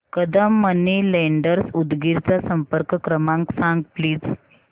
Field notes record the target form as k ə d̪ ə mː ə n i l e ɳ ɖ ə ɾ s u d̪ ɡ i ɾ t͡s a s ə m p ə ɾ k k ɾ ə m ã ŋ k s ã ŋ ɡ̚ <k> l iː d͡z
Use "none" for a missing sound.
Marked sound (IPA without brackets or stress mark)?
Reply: p